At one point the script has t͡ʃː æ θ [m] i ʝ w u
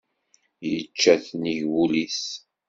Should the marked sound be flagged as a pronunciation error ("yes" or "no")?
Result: yes